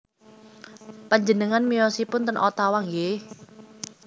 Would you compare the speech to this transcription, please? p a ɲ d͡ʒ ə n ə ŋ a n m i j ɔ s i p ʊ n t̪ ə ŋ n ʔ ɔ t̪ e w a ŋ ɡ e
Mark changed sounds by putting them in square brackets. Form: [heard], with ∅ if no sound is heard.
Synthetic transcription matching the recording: p a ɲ d͡ʒ ə n ə ŋ a n m i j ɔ s i p ʊ n t̪ ə [∅] n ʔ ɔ t̪ [a] w a ŋ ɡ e